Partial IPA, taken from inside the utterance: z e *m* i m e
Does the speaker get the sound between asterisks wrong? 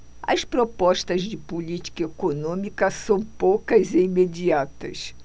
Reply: yes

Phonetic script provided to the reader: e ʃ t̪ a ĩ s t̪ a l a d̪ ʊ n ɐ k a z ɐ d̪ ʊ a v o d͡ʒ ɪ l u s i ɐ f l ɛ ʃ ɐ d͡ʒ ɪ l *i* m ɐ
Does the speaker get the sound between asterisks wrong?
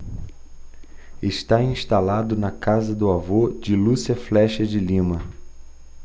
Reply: yes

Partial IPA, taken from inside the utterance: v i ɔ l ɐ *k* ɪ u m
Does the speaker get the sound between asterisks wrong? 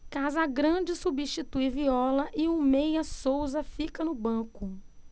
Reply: yes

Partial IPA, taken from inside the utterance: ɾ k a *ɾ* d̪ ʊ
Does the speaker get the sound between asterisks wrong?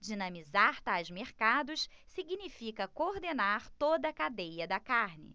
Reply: yes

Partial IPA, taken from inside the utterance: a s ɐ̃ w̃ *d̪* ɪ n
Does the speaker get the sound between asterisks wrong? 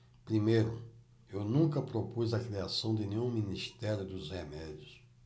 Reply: no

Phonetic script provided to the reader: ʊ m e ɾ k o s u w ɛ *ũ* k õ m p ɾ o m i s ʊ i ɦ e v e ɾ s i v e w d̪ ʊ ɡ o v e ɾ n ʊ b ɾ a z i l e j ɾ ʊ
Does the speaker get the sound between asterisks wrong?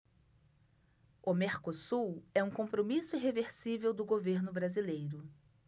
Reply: no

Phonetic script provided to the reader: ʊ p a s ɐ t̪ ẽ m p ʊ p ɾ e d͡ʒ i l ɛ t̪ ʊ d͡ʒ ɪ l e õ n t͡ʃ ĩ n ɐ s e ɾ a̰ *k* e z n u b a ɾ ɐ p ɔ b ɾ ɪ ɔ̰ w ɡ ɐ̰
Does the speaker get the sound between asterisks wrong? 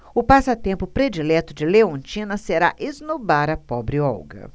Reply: yes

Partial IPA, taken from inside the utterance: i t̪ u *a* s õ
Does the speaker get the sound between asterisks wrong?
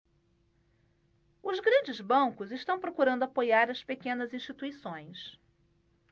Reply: yes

